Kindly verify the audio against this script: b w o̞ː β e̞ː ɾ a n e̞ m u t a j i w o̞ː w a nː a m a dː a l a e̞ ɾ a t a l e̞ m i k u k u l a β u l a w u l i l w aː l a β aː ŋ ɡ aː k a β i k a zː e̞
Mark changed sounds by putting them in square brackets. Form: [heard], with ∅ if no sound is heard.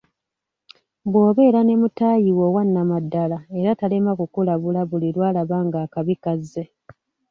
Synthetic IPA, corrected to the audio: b w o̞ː β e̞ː ɾ a n e̞ m u t a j i w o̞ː w a nː a m a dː a l a e̞ ɾ a t a l e̞ m [a] k u k u l a β u l a [β] u l i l w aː l a β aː ŋ ɡ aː k a β i k a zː e̞

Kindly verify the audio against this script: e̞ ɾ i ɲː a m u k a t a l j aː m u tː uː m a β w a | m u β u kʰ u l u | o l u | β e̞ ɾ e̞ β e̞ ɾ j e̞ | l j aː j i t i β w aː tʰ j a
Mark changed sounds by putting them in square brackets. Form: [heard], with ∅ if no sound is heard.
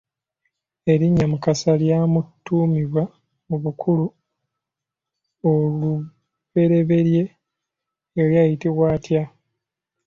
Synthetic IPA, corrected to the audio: e̞ ɾ i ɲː a m u k a [s] a l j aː m u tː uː m [i] β w a | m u β u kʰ u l u | o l u | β e̞ ɾ e̞ β e̞ ɾ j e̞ | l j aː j i t i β w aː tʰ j a

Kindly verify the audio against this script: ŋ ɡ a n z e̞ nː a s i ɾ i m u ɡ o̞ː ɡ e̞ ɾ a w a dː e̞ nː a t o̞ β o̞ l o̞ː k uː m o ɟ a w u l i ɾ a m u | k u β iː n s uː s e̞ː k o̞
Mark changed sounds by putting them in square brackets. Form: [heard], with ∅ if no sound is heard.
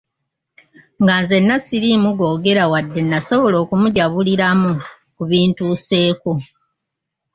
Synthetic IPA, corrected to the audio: ŋ ɡ a n z e̞ nː a s i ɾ i m u ɡ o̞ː ɡ e̞ ɾ a w a dː e̞ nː a [s] o̞ β o̞ l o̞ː k [u] m [u] ɟ a [β] u l i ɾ a m u | k u β iː n [t] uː s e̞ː k o̞

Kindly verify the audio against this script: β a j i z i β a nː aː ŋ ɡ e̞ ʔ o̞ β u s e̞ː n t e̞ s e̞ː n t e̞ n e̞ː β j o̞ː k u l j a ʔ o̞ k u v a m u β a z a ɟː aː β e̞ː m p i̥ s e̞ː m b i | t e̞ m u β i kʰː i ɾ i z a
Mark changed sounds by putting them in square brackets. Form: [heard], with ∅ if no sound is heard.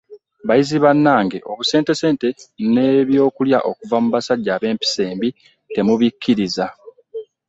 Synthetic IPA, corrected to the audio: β a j i z i β a nː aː ŋ ɡ e̞ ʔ o̞ β u s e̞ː n t e̞ s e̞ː n t e̞ n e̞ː β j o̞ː k u l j a ʔ o̞ k u v a m u β a [s] a ɟː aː β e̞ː m p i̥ s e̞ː m b i | t e̞ m u β i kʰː i ɾ i z a

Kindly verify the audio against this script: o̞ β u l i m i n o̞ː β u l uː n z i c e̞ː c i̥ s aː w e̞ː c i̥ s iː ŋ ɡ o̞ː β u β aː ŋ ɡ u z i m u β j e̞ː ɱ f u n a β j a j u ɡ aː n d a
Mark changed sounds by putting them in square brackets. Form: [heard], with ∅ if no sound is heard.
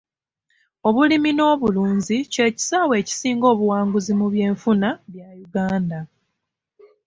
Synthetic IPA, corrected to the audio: o̞ β u l i m i n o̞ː β u l uː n z i c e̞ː c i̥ s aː w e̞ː c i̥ s iː ŋ ɡ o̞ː β u [w] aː ŋ ɡ u z i m u β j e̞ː ɱ f u n a β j a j u ɡ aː n d a

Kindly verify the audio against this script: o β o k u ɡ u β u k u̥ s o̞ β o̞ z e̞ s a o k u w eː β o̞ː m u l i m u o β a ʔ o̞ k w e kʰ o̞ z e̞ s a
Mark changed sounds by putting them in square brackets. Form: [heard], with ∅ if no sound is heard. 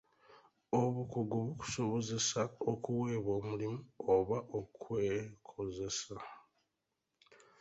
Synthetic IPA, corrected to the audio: o β [u] k u ɡ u β u k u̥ s o̞ β o̞ z e̞ s a o k u w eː β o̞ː m u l i m u o β a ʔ o̞ k w e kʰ o̞ z e̞ s a

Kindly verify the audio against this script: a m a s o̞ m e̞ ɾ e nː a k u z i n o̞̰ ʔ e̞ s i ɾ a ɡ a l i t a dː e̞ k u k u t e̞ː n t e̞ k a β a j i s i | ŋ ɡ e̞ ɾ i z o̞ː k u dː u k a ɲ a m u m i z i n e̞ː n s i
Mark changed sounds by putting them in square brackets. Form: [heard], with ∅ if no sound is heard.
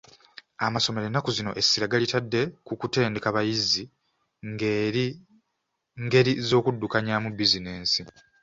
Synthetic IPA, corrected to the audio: a m a s o̞ m e̞ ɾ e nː a k u z i n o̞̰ ʔ e̞ s i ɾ a ɡ a l i t a dː e̞ k u k u t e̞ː n [d] e̞ k a β a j i [z] i | ŋ ɡ e̞ ɾ i z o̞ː k u dː u k a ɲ a m u [b] i z i n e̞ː n s i

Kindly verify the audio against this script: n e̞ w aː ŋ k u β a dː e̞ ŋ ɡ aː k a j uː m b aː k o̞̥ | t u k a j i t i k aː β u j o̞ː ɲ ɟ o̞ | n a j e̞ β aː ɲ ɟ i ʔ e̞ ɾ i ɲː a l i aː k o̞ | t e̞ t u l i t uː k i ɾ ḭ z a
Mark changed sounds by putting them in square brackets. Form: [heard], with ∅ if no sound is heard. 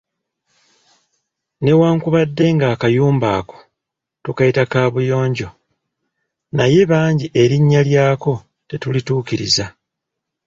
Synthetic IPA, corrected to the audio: n e̞ w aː ŋ k u β a dː e̞ ŋ ɡ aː k a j uː m b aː k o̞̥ | t u k a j i t [a] k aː β u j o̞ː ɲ ɟ o̞ | n a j e̞ β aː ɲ ɟ i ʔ e̞ ɾ i ɲː a l [j] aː k o̞ | t e̞ t u l i t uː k i ɾ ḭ z a

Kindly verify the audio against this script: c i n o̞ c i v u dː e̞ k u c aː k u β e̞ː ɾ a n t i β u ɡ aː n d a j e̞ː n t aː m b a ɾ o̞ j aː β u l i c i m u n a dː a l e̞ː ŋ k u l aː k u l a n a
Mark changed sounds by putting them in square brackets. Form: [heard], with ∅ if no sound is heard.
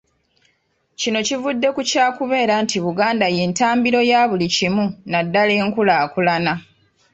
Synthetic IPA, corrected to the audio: c i n o̞ c i v u dː e̞ k u c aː k u β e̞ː ɾ a n t i β u ɡ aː n d a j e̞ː n t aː m b [i] ɾ o̞ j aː β u l i c i m u n a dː a l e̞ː ŋ k u l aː k u l a n a

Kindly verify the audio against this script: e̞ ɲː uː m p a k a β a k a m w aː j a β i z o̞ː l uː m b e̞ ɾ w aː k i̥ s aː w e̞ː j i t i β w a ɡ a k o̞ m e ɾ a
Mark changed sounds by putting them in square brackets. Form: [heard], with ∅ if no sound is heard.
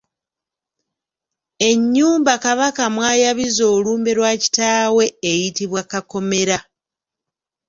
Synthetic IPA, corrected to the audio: e̞ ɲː uː m [b] a k a β a k a m w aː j a β i z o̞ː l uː m b e̞ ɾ w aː [c] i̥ [t] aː w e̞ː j i t i β w a [k] a k o̞ m e ɾ a

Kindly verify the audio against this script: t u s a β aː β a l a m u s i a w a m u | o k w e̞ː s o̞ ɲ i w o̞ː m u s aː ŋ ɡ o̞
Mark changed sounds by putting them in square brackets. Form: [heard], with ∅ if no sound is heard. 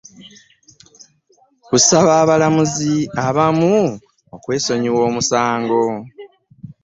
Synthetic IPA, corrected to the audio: [k] u s a β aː β a l a m u [z] i a [β] a m u | o k w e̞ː s o̞ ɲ i w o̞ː m u s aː ŋ ɡ o̞

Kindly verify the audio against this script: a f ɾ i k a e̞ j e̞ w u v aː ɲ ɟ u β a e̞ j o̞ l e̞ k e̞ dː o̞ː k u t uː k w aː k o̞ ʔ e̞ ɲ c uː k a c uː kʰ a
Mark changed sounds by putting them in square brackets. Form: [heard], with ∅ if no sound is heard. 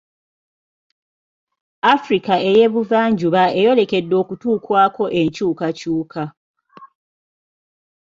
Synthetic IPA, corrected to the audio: a f ɾ i k a e̞ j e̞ [β] u v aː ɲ ɟ u β a e̞ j o̞ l e̞ k e̞ dː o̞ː k u t uː k w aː k o̞ ʔ e̞ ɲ c uː k a c uː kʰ a

